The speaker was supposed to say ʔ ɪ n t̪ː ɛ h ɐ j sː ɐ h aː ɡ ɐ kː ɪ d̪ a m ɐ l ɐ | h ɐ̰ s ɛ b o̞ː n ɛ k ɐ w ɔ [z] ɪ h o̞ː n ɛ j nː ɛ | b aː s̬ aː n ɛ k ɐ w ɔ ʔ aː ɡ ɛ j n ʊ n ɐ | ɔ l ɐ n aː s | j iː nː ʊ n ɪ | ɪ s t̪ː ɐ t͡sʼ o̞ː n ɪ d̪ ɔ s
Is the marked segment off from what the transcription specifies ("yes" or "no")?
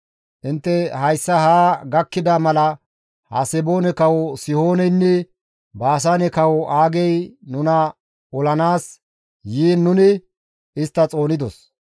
yes